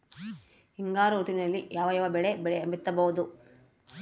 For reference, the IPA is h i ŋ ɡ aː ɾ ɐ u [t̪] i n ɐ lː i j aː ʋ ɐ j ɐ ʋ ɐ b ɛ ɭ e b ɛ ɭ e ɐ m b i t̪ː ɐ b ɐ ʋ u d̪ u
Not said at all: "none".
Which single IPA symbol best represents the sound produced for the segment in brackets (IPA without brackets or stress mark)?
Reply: t̪